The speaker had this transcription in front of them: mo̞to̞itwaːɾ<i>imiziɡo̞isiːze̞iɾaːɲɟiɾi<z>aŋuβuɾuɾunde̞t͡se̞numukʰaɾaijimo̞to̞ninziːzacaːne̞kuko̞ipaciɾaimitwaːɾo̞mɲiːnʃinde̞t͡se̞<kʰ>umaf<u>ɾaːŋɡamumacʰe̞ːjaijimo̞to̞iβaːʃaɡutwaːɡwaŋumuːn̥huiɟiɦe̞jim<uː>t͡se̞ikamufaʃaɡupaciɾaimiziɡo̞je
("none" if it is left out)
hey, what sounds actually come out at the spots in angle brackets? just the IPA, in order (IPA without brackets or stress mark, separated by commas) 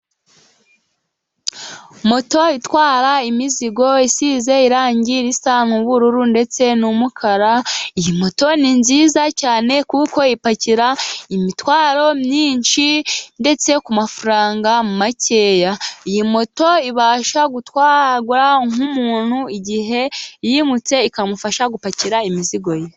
a, s, k, u, u